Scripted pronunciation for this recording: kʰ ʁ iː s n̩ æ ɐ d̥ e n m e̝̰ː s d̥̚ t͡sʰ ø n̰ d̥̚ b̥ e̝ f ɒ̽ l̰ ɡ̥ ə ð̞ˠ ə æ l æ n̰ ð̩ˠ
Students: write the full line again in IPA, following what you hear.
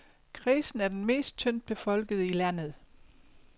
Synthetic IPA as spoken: kʰ ʁ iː s n̩ æ ɐ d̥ e n m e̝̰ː s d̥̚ t͡sʰ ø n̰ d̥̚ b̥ e̝ f ɒ̽ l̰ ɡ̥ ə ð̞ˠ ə i l æ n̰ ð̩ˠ